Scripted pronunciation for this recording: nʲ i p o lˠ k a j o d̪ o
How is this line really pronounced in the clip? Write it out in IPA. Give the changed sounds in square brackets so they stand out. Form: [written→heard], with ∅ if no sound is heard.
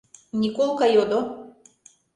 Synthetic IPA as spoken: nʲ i [p→k] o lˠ k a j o d̪ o